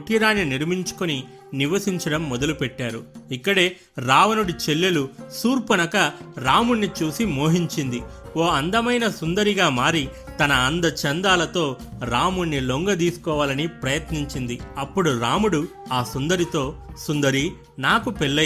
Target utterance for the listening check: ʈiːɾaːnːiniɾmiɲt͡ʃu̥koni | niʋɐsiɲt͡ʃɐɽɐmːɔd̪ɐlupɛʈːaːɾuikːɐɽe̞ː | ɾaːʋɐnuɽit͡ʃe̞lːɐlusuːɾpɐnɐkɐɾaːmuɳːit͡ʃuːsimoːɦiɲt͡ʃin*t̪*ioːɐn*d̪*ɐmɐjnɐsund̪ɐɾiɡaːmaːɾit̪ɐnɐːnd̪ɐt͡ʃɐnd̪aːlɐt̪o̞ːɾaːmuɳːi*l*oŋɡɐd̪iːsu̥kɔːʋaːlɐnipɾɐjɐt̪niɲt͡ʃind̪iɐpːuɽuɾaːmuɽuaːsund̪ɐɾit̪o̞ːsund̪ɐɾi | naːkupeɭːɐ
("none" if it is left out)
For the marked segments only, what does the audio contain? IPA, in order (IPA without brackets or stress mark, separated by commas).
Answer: d̪, d̪, l